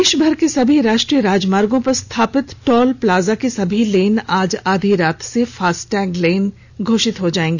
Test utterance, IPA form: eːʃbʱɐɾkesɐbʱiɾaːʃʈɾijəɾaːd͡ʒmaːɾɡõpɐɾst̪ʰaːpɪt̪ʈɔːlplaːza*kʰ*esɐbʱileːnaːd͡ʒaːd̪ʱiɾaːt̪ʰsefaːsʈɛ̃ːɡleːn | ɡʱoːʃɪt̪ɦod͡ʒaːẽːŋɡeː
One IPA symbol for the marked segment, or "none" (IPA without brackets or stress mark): k